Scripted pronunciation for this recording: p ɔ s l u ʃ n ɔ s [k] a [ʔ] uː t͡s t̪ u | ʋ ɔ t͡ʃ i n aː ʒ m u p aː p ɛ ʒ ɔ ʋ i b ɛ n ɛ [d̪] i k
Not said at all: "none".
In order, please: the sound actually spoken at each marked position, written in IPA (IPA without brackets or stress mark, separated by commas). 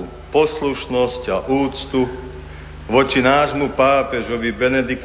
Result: c, ʔ, d̪